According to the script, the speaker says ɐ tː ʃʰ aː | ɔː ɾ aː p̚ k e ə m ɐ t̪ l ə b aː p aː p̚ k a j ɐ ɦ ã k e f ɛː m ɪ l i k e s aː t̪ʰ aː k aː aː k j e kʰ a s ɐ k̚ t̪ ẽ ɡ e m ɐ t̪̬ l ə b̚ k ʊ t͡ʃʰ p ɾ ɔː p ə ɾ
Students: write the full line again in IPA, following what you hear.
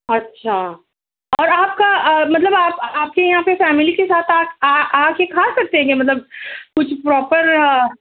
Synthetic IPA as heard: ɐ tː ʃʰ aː | ɔː ɾ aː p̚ k a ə m ɐ t̪ l ə b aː p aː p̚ k e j ɐ ɦ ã p e f ɛː m ɪ l i k e s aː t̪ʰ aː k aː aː k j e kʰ a s ɐ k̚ t̪ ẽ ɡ e m ɐ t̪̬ l ə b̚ k ʊ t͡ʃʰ p ɾ ɔː p ə ɾ